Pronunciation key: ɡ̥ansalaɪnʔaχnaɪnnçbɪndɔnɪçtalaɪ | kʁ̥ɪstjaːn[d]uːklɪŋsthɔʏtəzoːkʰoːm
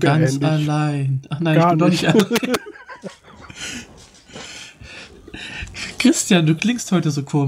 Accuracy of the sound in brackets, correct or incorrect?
correct